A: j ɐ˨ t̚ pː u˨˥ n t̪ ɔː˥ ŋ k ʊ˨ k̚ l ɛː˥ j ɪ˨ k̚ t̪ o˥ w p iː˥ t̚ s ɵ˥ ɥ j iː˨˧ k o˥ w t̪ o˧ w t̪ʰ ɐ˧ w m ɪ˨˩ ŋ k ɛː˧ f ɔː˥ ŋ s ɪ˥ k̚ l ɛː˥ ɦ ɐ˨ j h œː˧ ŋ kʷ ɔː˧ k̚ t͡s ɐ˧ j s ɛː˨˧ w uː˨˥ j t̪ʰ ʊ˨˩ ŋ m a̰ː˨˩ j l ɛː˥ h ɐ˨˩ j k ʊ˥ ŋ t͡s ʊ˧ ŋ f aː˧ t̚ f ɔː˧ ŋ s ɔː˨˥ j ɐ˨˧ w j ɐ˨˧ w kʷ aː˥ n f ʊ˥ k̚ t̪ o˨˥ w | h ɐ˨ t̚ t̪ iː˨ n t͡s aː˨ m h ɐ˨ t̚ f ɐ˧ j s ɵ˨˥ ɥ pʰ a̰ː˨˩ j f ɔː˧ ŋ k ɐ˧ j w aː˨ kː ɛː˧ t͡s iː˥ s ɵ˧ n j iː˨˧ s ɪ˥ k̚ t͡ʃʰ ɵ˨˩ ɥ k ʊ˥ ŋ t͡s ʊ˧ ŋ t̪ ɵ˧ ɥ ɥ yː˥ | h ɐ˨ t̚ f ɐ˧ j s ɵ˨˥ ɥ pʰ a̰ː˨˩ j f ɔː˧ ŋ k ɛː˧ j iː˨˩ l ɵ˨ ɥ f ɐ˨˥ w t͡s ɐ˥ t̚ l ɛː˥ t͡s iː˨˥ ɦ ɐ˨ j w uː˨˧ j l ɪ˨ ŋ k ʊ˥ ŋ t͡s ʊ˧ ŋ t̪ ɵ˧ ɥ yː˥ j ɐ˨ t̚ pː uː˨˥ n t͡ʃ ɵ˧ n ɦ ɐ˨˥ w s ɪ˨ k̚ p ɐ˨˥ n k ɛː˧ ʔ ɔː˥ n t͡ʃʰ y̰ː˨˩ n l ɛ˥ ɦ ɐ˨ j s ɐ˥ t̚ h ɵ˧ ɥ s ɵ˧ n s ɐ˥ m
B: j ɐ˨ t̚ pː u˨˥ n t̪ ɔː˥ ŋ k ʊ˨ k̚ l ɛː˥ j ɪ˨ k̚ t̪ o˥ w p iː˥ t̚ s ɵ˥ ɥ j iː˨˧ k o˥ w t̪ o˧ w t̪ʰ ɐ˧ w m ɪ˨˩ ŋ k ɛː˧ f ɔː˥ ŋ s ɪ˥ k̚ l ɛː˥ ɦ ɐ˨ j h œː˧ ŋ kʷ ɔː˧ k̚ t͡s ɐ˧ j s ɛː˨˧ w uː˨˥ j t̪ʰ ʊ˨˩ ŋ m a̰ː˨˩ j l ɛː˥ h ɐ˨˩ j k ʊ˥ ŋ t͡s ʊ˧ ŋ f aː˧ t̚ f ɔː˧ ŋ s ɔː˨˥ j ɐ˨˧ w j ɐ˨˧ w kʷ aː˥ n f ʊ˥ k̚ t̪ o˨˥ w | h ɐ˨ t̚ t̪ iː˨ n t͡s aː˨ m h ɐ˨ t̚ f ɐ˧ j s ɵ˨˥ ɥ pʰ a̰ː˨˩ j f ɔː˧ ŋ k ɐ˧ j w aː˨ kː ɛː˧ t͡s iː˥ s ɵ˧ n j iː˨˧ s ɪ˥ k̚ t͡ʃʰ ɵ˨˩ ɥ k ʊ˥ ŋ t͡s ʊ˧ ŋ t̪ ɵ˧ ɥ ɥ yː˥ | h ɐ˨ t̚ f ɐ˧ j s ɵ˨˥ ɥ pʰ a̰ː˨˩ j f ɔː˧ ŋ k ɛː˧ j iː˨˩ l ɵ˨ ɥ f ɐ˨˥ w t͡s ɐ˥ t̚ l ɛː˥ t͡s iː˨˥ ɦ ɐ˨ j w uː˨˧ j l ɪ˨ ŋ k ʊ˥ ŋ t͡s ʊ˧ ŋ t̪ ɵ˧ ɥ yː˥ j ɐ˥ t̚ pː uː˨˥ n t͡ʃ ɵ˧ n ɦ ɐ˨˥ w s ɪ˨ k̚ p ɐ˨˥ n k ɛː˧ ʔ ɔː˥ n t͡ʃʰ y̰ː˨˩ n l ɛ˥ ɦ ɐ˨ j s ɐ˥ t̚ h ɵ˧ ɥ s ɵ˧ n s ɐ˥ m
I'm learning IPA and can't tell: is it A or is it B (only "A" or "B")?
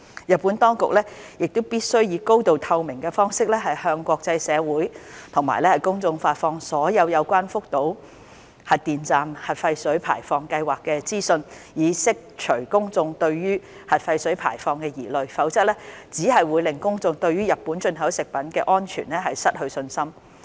A